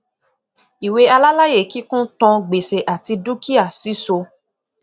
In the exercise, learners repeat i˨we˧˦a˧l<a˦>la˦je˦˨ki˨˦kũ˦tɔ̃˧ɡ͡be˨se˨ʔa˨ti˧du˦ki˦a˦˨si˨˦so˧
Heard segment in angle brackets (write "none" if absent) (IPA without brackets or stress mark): a˦